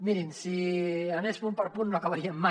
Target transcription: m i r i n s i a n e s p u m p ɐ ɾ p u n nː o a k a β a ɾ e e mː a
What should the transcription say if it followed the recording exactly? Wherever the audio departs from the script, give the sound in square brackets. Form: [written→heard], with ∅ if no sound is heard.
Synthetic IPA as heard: m i [r→ɾ] i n s i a n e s p u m p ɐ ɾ p u n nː o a k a β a ɾ [e→i] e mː a